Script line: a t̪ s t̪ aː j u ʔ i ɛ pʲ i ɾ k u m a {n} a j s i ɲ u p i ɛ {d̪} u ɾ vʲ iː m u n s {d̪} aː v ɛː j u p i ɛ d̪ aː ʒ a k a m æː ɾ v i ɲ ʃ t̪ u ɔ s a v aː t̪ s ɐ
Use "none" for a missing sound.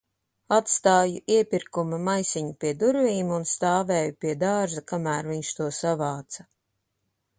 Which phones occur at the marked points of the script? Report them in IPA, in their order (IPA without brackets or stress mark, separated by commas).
m, d̪, t̪